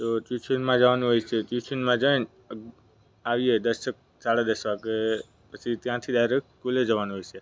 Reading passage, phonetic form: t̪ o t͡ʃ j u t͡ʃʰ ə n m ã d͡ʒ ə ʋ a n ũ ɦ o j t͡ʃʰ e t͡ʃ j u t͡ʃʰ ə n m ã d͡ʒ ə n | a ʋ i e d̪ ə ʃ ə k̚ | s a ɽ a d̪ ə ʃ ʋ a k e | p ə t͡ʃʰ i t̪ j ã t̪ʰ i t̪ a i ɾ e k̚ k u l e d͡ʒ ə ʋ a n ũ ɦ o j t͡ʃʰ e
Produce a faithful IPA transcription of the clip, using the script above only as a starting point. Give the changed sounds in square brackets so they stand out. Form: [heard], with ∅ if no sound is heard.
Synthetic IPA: t̪ o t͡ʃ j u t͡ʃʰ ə n m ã d͡ʒ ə ʋ a n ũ ɦ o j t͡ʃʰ e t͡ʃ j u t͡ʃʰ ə n m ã d͡ʒ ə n | a ʋ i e d̪ ə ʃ ə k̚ | s a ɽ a d̪ ə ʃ ʋ a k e | p ə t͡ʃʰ i t̪ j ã t̪ʰ i [d̪] a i ɾ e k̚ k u l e d͡ʒ ə ʋ a n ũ ɦ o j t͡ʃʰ e